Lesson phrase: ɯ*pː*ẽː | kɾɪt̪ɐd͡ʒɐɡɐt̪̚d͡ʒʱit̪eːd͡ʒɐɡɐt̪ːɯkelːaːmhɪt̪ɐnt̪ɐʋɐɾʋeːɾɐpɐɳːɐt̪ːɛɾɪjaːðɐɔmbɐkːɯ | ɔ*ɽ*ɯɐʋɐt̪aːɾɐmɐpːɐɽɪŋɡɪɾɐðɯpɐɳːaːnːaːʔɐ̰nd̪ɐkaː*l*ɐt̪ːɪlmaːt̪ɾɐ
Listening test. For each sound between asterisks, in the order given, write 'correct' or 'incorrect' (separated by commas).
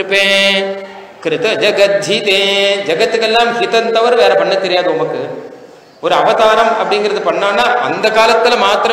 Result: correct, incorrect, correct